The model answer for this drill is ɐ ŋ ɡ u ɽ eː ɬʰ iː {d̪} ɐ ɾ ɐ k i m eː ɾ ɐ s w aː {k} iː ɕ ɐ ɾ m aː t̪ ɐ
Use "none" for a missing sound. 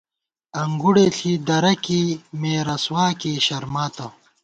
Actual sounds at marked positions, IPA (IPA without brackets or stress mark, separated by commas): d̪, k